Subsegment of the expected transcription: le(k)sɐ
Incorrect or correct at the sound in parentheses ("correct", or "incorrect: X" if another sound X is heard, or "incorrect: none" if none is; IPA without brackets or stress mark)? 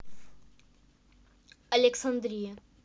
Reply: correct